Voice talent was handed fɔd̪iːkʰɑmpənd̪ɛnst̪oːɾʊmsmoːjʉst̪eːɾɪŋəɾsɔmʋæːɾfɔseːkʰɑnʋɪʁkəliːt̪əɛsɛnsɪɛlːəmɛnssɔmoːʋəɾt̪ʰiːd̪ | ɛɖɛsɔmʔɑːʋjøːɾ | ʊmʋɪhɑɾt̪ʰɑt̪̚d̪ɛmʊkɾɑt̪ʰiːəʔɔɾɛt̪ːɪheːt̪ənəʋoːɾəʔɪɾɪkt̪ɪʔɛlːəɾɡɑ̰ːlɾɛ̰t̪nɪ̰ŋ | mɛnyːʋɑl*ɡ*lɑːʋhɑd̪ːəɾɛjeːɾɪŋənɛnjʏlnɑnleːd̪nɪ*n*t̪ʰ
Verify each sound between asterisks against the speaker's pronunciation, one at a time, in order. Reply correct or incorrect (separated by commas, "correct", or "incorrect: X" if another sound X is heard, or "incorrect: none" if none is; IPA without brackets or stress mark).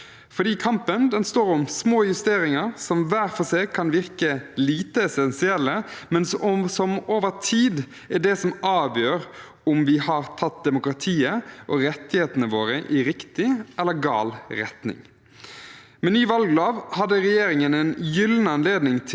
correct, incorrect: ŋ